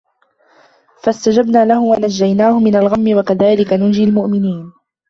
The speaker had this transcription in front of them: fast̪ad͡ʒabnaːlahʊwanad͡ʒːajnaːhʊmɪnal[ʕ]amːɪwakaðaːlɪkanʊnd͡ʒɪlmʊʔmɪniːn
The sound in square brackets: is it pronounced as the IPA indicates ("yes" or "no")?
no